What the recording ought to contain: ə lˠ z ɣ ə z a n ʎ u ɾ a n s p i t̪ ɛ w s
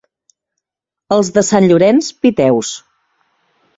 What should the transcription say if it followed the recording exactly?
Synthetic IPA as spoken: ə lˠ z ð ə s a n ʎ u ɾ ɛ n s p i t̪ ɛ w s